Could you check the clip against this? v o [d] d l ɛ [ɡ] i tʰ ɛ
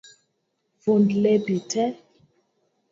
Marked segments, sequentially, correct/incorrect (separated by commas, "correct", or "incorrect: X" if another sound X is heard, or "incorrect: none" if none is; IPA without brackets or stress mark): incorrect: n, incorrect: b